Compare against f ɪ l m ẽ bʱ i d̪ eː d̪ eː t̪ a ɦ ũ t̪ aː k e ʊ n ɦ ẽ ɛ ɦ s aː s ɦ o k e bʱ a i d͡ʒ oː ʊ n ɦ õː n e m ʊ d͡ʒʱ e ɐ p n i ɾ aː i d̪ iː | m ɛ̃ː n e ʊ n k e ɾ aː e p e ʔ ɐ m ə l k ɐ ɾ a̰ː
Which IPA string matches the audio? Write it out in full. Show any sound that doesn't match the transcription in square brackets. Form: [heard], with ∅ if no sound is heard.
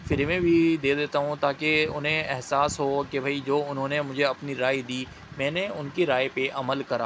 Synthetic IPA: f ɪ [ɾ] m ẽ bʱ i d̪ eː d̪ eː t̪ a ɦ ũ t̪ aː k e ʊ n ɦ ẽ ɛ ɦ s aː s ɦ o k e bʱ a i d͡ʒ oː ʊ n ɦ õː n e m ʊ d͡ʒʱ e ɐ p n i ɾ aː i d̪ iː | m ɛ̃ː n e ʊ n k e ɾ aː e p e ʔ ɐ m ə l k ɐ ɾ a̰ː